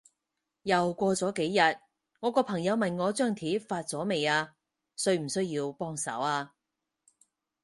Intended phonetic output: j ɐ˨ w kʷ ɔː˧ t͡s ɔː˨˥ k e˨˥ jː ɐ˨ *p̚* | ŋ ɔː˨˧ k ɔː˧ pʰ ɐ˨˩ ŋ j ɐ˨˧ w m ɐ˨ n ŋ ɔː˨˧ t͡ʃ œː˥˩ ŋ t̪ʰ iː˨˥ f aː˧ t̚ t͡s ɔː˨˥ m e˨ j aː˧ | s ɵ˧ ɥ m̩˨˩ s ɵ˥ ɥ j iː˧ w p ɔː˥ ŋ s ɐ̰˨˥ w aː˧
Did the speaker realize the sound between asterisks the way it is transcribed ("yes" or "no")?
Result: no